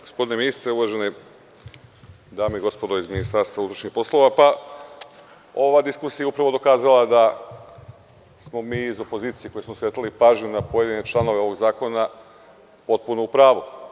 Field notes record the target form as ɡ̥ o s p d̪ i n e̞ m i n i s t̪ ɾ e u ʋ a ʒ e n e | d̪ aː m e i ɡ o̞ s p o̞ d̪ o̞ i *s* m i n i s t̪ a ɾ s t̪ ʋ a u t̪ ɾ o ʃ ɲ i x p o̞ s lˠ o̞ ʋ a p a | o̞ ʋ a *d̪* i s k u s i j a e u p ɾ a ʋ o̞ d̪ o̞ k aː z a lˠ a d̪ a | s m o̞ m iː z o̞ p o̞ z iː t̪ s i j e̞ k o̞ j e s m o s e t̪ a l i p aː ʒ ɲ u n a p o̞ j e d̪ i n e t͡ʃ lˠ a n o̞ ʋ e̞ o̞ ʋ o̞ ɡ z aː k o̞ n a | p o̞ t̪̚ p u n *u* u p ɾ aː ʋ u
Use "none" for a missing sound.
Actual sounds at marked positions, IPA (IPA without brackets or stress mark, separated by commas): z, d̪, o